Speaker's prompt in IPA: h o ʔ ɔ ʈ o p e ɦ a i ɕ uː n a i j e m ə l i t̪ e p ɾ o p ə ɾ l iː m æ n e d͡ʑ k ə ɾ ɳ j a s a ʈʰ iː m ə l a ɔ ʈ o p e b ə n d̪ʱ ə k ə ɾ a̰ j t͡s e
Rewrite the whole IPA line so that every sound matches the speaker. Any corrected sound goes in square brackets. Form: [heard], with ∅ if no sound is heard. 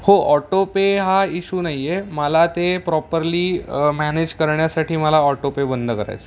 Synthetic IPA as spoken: h o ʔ ɔ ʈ o p e ɦ a i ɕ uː n a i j e m ə l [a] t̪ e p ɾ [ɔ] p ə ɾ l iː m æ n e d͡ʑ k ə ɾ ɳ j a s a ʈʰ iː m ə l a ɔ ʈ o p e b ə n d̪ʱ ə k ə ɾ a̰ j t͡s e